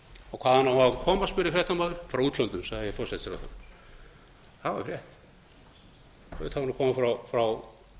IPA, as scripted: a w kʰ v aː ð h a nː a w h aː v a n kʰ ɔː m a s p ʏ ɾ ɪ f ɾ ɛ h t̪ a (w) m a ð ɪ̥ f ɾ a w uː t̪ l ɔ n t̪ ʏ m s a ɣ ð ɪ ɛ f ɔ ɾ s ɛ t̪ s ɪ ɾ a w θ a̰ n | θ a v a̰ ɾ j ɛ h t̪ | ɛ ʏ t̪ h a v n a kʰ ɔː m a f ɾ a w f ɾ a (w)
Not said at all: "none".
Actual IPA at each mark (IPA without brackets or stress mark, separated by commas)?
none, w